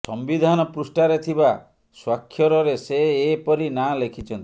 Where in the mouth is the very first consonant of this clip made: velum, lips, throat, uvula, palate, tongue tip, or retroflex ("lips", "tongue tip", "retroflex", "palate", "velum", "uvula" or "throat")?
tongue tip